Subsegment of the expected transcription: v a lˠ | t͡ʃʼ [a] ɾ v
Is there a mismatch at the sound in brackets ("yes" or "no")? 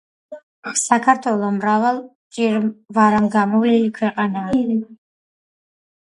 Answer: yes